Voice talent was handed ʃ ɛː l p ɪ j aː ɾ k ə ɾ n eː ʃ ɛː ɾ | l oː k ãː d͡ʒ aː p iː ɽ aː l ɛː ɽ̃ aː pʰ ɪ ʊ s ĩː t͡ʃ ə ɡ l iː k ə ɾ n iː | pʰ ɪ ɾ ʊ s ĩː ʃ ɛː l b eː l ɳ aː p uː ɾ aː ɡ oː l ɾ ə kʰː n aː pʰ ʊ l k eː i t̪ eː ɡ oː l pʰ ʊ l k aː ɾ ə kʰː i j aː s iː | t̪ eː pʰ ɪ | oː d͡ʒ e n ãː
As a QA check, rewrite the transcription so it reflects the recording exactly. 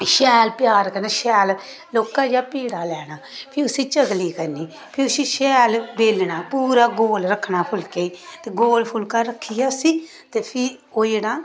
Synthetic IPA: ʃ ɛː l p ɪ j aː ɾ k ə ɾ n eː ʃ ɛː l | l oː k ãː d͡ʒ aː p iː ɽ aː l ɛː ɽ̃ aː pʰ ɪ ʊ s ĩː t͡ʃ ə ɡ l iː k ə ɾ n iː | pʰ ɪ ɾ ʊ s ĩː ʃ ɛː l b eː l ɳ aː p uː ɾ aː ɡ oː l ɾ ə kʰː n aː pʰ ʊ l k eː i t̪ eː ɡ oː l pʰ ʊ l k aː ɾ ə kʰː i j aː s iː | t̪ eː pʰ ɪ | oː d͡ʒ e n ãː